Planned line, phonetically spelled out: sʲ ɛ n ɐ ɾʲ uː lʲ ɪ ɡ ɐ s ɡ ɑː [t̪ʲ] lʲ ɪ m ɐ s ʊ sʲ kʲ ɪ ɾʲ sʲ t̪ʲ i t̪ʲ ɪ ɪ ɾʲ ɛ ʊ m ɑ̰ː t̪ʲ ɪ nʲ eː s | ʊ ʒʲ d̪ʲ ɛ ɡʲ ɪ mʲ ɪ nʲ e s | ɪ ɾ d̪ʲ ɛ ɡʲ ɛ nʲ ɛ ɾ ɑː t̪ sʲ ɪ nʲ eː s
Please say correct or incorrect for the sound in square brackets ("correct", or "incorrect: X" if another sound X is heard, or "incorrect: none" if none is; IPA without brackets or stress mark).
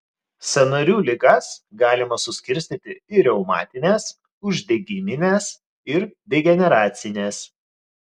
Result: incorrect: none